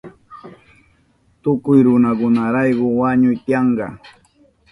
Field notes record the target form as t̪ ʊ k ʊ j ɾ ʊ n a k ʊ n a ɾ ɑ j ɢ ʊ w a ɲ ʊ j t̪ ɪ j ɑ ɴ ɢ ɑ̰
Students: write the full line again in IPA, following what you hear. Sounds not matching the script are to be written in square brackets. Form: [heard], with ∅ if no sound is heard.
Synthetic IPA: t̪ ʊ k ʊ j ɾ ʊ n a k ʊ n a ɾ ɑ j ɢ ʊ w a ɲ ʊ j t̪ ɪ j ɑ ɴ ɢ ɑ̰